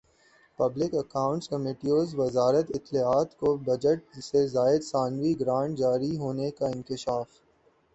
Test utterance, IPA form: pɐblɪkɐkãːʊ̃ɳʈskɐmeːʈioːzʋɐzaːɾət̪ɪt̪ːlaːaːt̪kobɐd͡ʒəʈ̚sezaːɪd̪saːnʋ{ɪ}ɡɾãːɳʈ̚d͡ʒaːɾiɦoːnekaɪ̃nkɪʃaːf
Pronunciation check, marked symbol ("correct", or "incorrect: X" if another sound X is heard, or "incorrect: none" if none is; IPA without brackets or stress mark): incorrect: i